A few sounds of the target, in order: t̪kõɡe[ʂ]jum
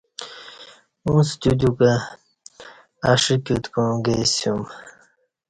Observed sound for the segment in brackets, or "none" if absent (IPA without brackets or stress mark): s